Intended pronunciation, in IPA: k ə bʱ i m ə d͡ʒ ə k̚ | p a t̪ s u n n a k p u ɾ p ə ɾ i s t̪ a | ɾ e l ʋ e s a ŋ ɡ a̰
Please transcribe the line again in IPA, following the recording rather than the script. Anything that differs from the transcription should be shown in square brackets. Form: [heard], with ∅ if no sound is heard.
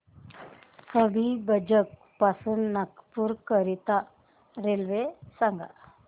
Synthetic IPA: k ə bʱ i [b] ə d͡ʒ ə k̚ | p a [∅] s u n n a k p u ɾ [k] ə ɾ i [∅] t̪ a | ɾ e l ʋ e s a ŋ ɡ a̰